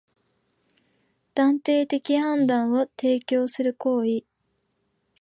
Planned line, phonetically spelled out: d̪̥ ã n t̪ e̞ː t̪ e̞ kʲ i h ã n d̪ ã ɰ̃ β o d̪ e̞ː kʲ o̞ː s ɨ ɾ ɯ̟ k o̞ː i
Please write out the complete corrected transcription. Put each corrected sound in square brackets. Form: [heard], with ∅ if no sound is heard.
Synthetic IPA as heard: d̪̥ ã n t̪ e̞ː t̪ e̞ kʲ i h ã n d̪ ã ɰ̃ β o [t̪] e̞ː kʲ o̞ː s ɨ ɾ ɯ̟ k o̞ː i